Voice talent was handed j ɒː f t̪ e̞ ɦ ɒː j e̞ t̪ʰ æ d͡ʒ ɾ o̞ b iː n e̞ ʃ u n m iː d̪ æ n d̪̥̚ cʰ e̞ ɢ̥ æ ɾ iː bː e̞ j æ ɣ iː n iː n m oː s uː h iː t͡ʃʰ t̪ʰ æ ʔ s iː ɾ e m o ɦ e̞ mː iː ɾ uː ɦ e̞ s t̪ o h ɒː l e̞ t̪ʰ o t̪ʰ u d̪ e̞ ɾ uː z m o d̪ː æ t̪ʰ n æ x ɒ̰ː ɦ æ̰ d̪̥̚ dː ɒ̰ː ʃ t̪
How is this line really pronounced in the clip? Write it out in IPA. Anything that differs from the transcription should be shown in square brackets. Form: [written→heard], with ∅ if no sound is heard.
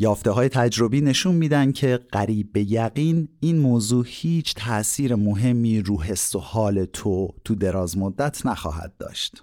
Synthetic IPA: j ɒː f t̪ e̞ ɦ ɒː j e̞ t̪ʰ æ d͡ʒ ɾ o̞ b iː n e̞ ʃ u n m iː d̪ æ n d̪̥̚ cʰ e̞ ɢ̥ æ ɾ iː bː e̞ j æ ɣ iː n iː n m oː [s→z] uː h iː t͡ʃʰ t̪ʰ æ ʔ s iː ɾ e m o ɦ e̞ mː iː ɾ uː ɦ e̞ s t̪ o h ɒː l e̞ t̪ʰ o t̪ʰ u d̪ e̞ ɾ [uː→ɒː] z m o d̪ː æ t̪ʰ n æ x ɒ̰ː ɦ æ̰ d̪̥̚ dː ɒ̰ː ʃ t̪